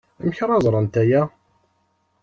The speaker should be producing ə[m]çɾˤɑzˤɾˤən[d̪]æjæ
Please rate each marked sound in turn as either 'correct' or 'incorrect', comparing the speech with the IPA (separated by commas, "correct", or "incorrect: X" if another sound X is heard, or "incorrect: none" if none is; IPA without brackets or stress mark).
correct, incorrect: t̪